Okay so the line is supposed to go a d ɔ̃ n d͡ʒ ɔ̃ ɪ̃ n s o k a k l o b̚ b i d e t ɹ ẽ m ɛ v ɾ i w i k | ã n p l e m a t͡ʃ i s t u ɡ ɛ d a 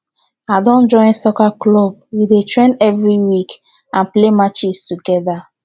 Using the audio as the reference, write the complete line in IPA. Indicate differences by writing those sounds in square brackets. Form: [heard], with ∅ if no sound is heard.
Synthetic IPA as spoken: a d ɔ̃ n d͡ʒ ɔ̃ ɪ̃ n s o k a k l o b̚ [w] i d e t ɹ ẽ [n] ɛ v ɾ i w i k | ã n p l e m a t͡ʃ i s t u ɡ ɛ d a